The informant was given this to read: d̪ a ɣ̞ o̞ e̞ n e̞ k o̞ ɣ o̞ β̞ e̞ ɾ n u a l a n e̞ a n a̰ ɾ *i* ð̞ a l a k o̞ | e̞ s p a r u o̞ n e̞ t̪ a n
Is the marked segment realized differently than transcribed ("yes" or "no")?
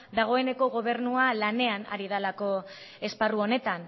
no